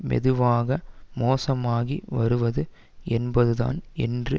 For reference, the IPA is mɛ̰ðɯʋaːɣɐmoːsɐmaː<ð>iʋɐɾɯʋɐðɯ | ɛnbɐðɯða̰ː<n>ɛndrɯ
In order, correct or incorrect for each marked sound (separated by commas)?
incorrect, correct